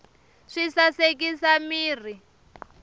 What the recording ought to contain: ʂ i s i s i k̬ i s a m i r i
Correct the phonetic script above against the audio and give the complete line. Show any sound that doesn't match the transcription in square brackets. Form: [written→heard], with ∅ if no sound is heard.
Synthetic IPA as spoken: ʂ i s [i→a] s [i→e] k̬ i s a m [i→iː] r i